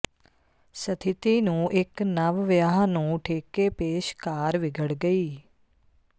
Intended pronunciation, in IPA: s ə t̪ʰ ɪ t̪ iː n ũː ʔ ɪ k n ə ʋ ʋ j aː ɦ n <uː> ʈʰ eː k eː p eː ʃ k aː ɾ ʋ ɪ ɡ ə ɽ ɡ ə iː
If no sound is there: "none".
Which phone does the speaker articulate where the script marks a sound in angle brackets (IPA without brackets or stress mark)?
ũː